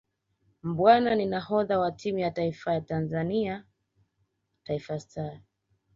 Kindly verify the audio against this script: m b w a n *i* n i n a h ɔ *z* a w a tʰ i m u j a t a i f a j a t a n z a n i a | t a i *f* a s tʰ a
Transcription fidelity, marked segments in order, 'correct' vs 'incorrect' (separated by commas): incorrect, incorrect, correct